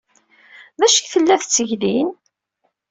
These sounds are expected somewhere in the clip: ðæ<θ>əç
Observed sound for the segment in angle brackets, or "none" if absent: ʃ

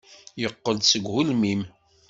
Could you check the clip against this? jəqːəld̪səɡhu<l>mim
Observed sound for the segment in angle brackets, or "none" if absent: l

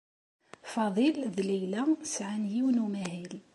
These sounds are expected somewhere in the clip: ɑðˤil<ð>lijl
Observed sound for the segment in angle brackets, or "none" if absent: ð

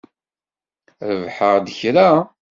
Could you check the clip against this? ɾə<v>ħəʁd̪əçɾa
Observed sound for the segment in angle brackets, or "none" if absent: v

